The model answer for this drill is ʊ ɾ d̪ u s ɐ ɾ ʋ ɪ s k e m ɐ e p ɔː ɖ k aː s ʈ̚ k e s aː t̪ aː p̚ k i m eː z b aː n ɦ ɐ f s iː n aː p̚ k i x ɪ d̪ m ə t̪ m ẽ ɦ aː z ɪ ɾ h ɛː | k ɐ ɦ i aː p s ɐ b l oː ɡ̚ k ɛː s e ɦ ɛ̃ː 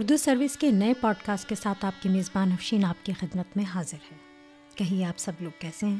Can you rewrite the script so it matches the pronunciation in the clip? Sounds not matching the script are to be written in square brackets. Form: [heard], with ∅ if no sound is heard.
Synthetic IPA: ʊ ɾ d̪ u s ɐ ɾ ʋ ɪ s k e [n] ɐ e p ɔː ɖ k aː s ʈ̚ k e s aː t̪ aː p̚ k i m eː z b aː n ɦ ɐ f [ʃ] iː n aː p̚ k i x ɪ d̪ m ə t̪ m ẽ ɦ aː z ɪ ɾ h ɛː | k ɐ ɦ i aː p s ɐ b l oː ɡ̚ k ɛː s e ɦ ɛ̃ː